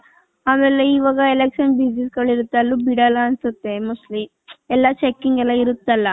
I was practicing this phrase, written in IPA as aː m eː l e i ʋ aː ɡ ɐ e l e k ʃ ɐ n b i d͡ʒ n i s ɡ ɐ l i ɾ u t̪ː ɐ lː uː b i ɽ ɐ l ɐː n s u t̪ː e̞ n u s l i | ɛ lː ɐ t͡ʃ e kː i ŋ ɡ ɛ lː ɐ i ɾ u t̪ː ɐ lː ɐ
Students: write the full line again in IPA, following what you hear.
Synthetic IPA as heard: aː m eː l e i ʋ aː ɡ ɐ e l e k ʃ ɐ n b i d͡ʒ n i s ɡ ɐ ɭ i ɾ u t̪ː ɐ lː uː b i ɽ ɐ l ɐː n s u t̪ː e̞ m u s l i | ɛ lː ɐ t͡ʃ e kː i ŋ ɡ ɛ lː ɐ i ɾ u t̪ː ɐ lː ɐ